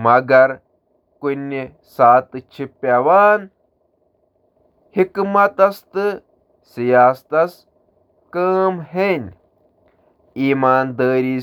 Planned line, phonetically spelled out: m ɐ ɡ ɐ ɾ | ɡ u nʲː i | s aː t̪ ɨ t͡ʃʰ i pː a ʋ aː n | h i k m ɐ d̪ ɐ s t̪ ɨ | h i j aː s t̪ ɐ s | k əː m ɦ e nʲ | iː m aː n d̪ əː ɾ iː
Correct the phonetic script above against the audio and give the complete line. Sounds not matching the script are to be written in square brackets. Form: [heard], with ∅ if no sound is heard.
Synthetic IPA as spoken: m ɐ ɡ ɐ ɾ | [k] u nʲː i | s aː t̪ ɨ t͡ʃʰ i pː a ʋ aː n | h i k m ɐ [t̪] ɐ s t̪ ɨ | [s] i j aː s t̪ ɐ s | k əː m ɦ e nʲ | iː m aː n d̪ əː ɾ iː